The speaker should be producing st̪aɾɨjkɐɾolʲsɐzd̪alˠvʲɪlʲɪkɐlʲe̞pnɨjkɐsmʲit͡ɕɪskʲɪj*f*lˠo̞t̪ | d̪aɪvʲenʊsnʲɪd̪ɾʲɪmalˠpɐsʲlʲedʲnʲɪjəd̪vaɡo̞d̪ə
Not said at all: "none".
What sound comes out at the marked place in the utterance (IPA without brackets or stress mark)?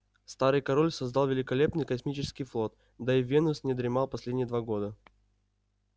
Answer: f